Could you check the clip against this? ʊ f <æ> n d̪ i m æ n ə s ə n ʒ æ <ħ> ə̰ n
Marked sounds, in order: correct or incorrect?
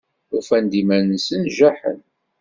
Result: correct, correct

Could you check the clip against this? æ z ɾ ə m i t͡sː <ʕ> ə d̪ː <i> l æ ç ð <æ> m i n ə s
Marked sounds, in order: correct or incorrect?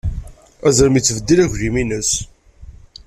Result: incorrect: v, correct, incorrect: i

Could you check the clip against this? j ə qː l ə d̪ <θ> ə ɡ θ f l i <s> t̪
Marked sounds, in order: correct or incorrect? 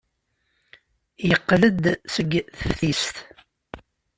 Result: incorrect: s, correct

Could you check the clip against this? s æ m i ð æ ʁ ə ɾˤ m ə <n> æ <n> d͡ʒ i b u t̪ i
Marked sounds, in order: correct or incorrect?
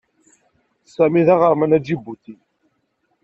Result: correct, incorrect: none

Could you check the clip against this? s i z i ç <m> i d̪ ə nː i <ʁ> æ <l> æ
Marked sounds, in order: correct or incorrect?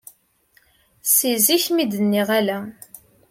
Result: correct, correct, correct

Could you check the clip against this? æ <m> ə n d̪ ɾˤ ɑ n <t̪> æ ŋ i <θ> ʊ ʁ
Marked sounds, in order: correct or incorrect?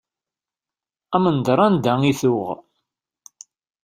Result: correct, incorrect: d̪, correct

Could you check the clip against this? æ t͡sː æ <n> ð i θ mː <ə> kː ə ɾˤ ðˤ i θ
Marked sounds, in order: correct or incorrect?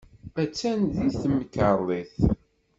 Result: correct, correct

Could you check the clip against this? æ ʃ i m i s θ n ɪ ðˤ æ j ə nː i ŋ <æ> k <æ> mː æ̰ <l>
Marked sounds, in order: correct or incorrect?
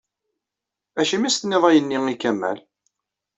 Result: incorrect: i, correct, correct

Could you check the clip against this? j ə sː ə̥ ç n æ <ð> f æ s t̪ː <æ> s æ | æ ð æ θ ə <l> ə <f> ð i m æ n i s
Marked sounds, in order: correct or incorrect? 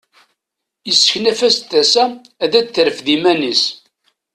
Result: incorrect: none, correct, incorrect: ɾ, correct

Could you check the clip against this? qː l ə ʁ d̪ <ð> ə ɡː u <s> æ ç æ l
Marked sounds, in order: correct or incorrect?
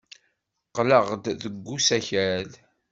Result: correct, correct

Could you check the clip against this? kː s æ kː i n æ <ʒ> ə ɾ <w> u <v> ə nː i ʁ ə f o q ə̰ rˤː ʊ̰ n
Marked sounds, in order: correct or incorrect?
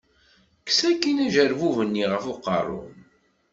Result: correct, incorrect: v, correct

